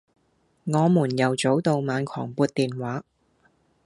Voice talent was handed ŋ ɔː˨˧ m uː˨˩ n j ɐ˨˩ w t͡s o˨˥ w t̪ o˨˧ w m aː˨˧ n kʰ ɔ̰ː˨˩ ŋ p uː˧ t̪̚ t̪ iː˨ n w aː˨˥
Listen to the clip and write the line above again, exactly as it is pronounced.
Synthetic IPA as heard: ŋ ɔː˨˧ m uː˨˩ n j ɐ˨˩ w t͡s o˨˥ w t̪ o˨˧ w m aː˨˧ n kʰ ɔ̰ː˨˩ ŋ p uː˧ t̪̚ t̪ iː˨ n w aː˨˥